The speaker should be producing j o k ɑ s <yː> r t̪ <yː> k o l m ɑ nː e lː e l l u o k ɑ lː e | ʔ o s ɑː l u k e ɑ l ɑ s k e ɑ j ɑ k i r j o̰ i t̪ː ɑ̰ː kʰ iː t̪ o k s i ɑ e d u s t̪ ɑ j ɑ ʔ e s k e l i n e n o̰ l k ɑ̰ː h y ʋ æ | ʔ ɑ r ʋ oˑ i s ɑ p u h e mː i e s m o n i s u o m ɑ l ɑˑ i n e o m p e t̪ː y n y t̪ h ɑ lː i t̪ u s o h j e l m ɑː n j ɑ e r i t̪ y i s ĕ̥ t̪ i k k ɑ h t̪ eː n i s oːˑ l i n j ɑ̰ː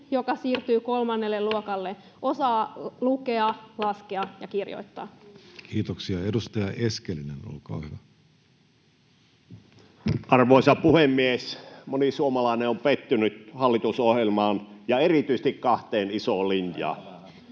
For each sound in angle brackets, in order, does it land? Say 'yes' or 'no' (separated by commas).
no, yes